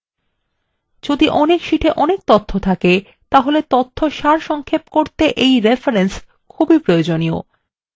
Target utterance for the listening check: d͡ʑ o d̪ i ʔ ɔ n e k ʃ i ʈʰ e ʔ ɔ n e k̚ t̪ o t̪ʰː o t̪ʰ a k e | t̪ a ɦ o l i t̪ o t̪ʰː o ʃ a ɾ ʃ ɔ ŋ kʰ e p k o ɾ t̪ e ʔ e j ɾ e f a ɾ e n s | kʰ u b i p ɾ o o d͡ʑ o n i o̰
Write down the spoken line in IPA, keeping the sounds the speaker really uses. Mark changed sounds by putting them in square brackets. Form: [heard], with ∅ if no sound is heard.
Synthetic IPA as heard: d͡ʑ o d̪ i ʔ ɔ n e k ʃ i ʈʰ e ʔ ɔ n e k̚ t̪ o t̪ʰː o t̪ʰ a k e | t̪ a ɦ o l [e] t̪ o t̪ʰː o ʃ a ɾ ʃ ɔ ŋ kʰ e p k o ɾ t̪ e ʔ e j ɾ e f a ɾ e n s | kʰ u b i p ɾ o o d͡ʑ o n i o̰